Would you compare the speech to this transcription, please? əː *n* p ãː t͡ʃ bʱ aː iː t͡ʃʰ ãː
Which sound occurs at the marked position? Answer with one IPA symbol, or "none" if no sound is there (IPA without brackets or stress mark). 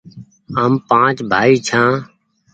m